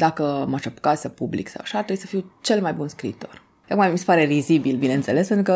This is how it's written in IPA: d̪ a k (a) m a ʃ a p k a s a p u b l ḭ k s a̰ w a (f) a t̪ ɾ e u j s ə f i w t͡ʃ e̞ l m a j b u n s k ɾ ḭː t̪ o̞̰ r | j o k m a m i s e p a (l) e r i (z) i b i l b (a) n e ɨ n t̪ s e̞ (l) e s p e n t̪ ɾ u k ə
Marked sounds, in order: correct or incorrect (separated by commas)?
incorrect, incorrect, incorrect, correct, incorrect, correct